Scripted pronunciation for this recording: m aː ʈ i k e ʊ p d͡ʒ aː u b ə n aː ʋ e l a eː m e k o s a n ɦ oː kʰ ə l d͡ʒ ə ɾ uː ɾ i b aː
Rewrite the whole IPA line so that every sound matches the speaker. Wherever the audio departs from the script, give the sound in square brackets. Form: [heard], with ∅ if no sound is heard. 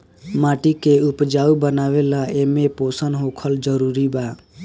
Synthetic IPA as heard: m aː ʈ i k e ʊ p d͡ʒ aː u b ə n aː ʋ e l a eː m e [p] o s [ə] n ɦ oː kʰ ə l d͡ʒ ə ɾ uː ɾ i b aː